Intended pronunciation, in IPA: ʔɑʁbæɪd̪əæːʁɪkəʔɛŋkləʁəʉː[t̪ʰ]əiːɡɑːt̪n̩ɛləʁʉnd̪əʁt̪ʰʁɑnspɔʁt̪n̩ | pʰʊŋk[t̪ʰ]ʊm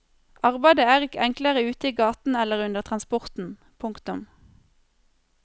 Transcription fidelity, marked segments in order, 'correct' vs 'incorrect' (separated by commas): incorrect, incorrect